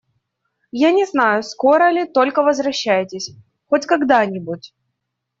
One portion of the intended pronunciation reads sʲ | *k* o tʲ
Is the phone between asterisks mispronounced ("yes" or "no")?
yes